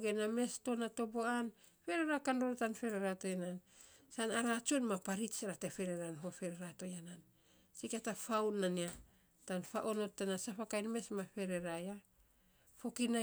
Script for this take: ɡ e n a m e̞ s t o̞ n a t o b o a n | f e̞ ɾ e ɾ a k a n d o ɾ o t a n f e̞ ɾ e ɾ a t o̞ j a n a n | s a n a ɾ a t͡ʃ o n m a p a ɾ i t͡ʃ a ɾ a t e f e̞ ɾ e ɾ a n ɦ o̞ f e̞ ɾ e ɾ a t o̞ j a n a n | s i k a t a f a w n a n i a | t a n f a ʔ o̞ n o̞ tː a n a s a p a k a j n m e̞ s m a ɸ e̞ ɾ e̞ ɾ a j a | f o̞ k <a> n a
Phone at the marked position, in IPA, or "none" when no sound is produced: i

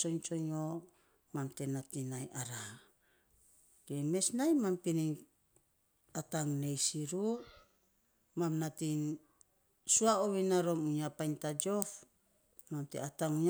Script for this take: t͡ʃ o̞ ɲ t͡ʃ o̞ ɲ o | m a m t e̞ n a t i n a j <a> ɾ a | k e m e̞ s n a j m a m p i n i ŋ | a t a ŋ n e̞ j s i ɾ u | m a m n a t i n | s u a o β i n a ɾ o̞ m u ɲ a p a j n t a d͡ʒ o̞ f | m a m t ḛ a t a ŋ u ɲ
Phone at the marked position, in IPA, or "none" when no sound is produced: a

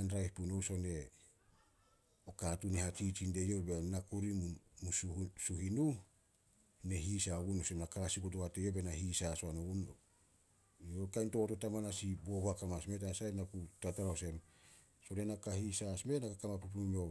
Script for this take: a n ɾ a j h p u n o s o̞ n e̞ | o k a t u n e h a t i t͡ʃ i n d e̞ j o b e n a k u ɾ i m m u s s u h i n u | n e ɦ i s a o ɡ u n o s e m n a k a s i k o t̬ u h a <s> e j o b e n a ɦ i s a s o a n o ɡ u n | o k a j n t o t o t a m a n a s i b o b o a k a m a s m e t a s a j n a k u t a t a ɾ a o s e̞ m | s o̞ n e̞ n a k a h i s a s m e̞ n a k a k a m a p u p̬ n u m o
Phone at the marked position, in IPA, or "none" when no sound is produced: t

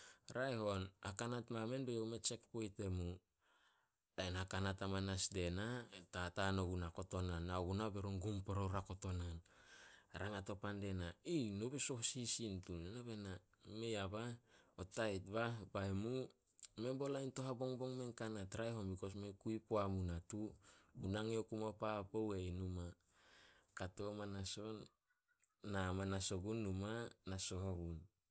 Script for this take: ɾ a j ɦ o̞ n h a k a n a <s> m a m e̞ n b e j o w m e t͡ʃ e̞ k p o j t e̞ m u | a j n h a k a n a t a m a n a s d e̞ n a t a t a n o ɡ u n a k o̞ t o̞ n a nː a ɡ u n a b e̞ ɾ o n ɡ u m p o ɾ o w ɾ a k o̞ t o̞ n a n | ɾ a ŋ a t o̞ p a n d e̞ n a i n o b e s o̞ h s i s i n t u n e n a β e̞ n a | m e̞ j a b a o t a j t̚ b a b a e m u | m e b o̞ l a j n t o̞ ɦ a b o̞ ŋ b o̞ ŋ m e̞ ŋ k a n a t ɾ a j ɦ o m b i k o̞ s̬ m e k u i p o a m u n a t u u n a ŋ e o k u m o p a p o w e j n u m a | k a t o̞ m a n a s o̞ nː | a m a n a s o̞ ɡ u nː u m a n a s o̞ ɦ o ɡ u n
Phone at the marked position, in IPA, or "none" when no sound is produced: t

